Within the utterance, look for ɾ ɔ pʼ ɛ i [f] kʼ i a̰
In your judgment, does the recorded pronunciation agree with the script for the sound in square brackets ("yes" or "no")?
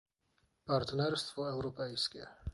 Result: no